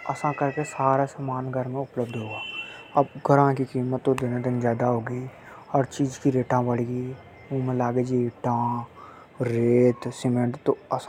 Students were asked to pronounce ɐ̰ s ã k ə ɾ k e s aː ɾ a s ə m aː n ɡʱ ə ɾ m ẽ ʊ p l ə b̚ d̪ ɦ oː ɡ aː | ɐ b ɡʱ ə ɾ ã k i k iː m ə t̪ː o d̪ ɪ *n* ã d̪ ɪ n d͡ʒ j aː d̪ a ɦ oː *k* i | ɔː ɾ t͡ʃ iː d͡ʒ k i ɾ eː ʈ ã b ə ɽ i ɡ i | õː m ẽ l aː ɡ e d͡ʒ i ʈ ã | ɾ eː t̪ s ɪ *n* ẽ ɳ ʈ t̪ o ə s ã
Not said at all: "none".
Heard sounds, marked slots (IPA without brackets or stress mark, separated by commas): n, ɡ, m